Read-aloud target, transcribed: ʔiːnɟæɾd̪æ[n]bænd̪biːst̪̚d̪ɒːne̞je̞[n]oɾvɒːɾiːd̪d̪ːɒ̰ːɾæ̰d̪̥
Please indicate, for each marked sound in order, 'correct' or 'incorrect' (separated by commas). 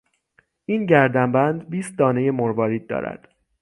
incorrect, incorrect